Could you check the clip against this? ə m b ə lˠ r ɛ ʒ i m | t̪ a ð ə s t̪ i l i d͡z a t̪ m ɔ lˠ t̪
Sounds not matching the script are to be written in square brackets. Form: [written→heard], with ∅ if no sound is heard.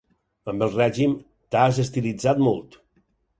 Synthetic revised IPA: ə m b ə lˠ r ɛ ʒ i m | t̪ a [ð→z] ə s t̪ i l i d͡z a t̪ m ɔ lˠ t̪